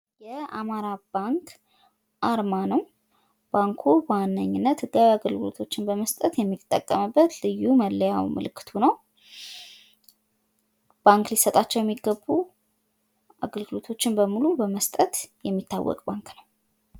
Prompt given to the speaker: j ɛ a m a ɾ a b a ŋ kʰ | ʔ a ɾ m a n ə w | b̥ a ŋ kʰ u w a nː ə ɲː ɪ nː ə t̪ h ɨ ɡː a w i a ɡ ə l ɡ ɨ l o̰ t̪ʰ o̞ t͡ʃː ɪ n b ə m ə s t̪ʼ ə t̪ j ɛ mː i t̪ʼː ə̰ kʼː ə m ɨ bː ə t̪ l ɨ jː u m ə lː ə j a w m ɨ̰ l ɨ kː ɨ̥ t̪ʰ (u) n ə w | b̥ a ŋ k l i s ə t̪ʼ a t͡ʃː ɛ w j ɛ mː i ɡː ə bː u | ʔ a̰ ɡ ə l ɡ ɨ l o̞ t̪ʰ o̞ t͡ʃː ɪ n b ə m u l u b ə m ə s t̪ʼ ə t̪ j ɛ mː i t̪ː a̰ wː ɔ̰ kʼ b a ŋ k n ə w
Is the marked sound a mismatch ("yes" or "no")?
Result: no